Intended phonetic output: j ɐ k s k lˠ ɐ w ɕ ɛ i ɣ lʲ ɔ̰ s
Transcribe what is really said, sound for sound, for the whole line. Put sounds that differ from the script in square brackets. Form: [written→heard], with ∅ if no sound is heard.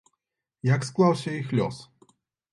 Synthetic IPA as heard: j [ɐ→a] k s k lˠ [ɐ→a] w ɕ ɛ i [ɣ→x] lʲ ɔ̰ s